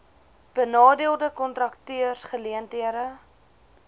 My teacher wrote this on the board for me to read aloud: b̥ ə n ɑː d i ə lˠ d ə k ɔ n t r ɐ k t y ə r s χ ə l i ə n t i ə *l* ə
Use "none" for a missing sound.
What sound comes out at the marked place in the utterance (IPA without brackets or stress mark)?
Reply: ɾ